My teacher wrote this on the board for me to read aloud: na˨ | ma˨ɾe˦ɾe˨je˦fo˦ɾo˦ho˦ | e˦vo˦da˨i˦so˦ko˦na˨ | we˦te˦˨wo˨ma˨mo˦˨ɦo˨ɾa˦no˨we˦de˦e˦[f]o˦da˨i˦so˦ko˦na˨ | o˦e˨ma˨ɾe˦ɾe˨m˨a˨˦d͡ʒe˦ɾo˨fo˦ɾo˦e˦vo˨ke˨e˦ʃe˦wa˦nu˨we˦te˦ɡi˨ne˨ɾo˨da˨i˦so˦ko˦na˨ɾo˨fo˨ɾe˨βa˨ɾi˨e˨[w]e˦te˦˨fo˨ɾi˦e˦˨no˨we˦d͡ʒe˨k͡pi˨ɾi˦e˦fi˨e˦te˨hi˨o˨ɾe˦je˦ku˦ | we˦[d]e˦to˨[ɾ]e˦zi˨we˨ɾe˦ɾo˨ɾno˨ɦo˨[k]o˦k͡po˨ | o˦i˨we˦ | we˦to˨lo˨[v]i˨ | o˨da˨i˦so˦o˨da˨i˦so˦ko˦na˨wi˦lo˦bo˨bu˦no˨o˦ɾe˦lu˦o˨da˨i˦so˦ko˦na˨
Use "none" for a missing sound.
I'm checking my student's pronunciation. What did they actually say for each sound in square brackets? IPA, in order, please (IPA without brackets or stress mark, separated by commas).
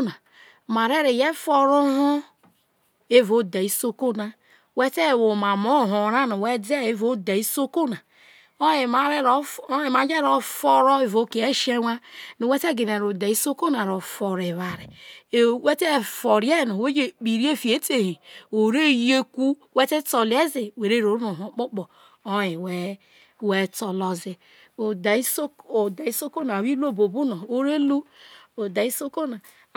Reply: v, w, t, l, k͡p, z